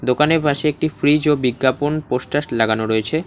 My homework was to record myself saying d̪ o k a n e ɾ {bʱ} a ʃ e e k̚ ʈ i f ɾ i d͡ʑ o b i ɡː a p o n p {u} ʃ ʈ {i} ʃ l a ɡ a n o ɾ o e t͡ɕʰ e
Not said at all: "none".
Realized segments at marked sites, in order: bʱ, o, a

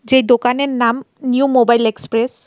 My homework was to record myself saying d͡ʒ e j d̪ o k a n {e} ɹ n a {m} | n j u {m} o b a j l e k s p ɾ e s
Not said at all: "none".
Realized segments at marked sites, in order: e, m, m

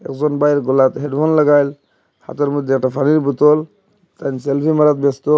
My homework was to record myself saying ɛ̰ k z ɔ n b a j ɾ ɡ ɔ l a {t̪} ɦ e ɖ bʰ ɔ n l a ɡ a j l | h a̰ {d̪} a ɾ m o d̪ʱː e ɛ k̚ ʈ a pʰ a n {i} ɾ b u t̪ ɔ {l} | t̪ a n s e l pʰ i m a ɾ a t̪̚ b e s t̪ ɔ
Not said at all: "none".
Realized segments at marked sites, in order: t̪, t̪, i, l

